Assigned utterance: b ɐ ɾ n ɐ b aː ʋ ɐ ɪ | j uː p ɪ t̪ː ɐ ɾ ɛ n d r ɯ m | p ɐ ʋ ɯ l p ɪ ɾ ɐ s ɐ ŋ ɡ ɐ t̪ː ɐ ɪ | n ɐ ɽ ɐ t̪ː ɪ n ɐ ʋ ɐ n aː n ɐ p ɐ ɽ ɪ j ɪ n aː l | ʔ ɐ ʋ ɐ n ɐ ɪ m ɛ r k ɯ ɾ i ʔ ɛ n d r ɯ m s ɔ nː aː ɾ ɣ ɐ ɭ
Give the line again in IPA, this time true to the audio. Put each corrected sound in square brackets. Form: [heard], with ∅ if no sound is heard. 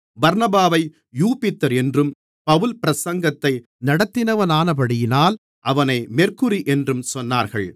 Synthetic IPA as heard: b ɐ ɾ n ɐ b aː ʋ ɐ ɪ | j uː p ɪ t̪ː ɐ ɾ ɛ n d r ɯ m | p ɐ ʋ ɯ l p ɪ ɾ ɐ s ɐ ŋ ɡ ɐ t̪ː ɐ ɪ | n ɐ ɽ ɐ t̪ː ɪ n ɐ ʋ ɐ n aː n ɐ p ɐ ɽ ɪ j ɪ n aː l | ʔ ɐ ʋ ɐ n ɐ ɪ m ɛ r k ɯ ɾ i ʔ ɛ n d r ɯ m s ɔ nː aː ɾ ɣ ɐ ɭ